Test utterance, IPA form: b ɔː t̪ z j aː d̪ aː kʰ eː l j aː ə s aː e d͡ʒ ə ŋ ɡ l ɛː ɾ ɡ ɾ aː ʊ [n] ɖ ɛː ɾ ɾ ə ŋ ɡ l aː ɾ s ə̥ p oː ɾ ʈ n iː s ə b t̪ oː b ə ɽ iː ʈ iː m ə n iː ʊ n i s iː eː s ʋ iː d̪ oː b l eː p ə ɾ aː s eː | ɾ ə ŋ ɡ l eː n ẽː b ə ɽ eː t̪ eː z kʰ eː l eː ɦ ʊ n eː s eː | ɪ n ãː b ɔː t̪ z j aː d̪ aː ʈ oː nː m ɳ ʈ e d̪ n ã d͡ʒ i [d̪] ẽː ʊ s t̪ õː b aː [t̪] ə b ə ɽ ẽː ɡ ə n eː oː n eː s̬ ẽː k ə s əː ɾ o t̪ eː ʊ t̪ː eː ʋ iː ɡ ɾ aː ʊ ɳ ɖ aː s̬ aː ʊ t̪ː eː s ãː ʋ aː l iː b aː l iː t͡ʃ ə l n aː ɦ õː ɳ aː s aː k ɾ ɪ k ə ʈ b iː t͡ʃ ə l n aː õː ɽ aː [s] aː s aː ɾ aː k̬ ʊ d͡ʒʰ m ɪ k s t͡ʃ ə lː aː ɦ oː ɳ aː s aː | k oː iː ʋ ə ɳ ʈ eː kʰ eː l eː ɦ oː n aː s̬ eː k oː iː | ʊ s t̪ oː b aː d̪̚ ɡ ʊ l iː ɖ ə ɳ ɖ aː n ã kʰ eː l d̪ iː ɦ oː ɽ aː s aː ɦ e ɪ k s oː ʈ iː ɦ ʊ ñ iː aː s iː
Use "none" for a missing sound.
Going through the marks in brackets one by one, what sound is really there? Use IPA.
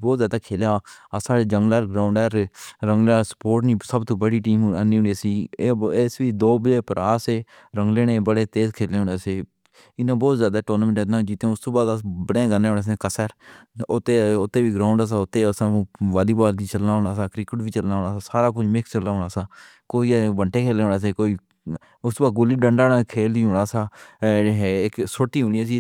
ɳ, t̪, d̪, s

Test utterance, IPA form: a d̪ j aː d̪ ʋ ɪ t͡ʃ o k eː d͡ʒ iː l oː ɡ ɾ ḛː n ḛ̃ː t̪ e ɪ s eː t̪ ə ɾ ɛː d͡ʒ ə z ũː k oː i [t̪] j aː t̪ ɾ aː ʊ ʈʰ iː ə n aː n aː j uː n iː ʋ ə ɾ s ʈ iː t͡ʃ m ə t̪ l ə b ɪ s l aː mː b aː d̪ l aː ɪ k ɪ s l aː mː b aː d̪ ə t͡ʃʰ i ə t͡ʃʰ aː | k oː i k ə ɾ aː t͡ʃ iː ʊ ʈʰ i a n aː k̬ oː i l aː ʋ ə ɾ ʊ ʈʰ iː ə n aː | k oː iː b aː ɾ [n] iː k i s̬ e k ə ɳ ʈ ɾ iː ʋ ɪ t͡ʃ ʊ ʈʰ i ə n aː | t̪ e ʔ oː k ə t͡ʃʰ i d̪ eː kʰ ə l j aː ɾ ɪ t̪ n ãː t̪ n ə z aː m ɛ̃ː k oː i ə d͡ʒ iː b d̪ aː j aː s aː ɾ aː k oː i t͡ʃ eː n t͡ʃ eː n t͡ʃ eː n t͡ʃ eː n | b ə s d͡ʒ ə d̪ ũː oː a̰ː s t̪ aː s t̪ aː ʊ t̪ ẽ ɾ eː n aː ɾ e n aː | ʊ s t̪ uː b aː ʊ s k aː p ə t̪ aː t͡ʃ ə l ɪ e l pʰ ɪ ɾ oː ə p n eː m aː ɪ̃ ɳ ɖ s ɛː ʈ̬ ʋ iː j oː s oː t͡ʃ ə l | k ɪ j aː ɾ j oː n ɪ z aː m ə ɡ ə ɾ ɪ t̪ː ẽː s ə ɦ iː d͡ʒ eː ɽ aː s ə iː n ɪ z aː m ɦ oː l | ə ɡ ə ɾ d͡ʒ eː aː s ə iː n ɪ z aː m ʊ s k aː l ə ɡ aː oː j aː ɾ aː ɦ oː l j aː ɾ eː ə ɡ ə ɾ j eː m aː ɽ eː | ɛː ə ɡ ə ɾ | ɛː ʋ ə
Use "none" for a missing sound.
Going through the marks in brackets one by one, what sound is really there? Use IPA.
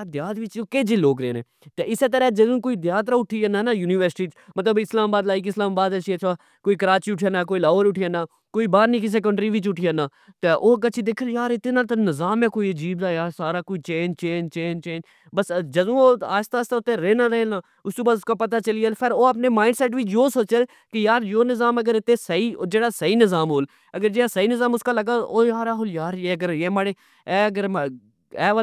d̪, n

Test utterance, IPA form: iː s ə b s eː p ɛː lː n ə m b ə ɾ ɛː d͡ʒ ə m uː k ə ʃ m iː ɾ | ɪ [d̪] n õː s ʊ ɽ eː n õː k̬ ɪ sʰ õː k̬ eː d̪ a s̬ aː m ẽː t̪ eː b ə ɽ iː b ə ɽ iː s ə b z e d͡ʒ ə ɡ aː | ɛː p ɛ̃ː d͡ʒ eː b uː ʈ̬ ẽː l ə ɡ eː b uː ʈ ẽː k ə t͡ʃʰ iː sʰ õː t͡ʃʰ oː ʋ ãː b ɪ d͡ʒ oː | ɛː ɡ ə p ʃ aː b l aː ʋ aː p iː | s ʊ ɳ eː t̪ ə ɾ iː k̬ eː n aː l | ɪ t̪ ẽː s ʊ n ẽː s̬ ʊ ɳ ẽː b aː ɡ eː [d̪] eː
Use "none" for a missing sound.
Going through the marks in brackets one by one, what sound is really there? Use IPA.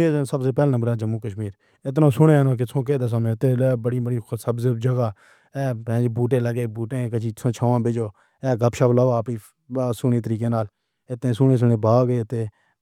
t̪, t̪

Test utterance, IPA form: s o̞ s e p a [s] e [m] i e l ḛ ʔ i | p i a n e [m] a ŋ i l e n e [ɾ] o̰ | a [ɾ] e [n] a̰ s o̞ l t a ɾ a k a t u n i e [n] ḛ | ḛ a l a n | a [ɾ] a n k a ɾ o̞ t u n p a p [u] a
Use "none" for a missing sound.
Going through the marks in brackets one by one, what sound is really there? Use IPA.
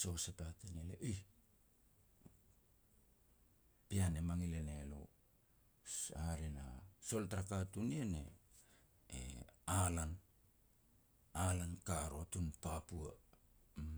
t, n, m, l, ɾ, n, n, l, u

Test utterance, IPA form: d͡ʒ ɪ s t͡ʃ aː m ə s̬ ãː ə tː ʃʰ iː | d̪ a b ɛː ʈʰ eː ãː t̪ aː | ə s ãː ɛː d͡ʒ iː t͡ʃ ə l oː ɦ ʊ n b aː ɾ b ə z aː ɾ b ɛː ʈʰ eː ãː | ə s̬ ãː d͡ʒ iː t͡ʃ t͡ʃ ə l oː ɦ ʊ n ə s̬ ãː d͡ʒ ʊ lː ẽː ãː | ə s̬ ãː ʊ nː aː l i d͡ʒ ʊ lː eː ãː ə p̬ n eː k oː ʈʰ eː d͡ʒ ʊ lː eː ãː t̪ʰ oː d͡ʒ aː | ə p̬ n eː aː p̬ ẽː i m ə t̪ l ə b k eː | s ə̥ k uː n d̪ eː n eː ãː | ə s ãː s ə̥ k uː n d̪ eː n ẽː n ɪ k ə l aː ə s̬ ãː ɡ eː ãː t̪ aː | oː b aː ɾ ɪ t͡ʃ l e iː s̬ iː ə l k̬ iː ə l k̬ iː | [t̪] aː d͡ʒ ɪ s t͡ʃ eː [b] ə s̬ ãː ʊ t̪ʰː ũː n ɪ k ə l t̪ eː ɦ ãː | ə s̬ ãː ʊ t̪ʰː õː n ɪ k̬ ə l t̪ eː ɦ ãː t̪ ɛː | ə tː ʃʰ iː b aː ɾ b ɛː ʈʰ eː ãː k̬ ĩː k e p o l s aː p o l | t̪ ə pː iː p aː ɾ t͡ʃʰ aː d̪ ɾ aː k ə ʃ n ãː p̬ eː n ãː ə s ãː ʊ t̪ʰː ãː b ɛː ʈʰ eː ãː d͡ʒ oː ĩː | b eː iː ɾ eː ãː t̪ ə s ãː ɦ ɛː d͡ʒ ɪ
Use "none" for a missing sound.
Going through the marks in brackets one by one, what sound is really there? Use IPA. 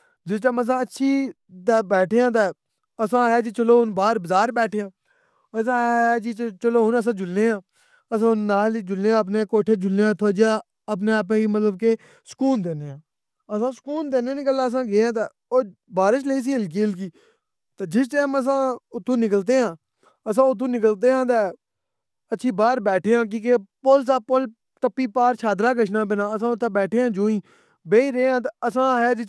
t̪, m

